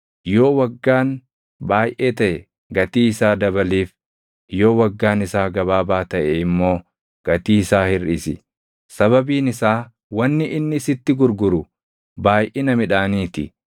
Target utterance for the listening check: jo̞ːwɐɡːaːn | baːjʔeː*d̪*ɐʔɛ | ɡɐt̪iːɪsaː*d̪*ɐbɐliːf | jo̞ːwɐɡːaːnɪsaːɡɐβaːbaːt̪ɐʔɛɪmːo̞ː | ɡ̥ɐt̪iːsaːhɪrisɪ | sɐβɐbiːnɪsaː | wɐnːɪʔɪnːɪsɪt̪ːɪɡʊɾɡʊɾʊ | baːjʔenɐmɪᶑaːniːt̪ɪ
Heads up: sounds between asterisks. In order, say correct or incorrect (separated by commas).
incorrect, correct